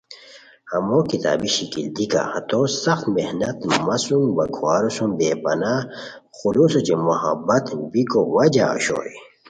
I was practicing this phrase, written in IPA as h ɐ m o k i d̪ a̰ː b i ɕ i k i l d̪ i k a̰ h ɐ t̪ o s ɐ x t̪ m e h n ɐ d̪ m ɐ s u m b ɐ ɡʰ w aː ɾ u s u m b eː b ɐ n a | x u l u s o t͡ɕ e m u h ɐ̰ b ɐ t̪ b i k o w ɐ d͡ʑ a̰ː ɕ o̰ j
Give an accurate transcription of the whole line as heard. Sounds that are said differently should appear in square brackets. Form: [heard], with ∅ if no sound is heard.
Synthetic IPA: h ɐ m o k i [t̪] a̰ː b i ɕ i k i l d̪ i k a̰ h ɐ t̪ o s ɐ x t̪ m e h n ɐ [t̪] m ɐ s u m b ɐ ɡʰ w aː ɾ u s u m b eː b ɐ n a | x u l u s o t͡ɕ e m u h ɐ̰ b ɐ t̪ b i k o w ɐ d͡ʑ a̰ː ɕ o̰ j